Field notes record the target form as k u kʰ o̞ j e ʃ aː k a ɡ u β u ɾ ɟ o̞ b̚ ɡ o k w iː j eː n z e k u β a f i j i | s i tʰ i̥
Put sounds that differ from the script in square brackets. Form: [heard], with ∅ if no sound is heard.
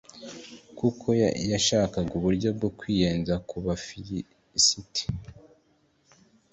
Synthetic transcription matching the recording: k u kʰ o̞ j [a] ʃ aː k a ɡ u β u ɾ ɟ o̞ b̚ ɡ o k w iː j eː n z [a] k u β a f i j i | s i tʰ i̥